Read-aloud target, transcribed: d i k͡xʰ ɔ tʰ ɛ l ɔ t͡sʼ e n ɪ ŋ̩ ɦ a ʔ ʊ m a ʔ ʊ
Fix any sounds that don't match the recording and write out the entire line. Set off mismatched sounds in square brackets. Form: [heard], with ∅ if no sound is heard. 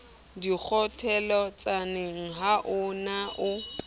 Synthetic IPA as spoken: d i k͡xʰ ɔ tʰ ɛ l ɔ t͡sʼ [a] n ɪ ŋ̩ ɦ a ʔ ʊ [n] a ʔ ʊ